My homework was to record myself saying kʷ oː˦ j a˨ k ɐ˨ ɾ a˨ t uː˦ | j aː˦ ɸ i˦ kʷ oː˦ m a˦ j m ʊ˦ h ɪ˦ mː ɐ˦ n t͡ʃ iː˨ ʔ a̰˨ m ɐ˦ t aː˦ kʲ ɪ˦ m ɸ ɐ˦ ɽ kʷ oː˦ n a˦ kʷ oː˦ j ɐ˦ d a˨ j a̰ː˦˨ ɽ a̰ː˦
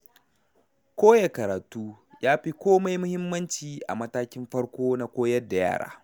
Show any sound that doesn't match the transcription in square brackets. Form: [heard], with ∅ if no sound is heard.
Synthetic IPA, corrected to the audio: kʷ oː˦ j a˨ k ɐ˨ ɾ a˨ t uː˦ | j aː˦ ɸ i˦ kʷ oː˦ m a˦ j m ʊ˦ h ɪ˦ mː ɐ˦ n t͡ʃ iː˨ ʔ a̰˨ m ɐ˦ t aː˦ kʲ ɪ˦ m ɸ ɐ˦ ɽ kʷ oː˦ n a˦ kʷ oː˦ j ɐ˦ d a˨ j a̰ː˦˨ ɽ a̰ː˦